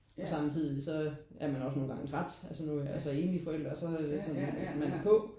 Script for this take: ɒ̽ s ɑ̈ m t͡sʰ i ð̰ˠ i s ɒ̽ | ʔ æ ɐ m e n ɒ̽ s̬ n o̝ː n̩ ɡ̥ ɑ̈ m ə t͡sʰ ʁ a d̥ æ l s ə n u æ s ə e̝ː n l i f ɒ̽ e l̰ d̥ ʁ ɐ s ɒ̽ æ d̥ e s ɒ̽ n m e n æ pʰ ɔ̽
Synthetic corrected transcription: ɒ̽ s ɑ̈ m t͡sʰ i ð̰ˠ i s ɒ̽ | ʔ æ ɐ m æ n ɒ̽ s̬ n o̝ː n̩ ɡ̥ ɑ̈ ŋ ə t͡sʰ ʁ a d̥ æ l s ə n u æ s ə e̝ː n l i f ɒ̽ e l̰ d̥ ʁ ɐ s ɒ̽ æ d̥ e s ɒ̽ n m æ n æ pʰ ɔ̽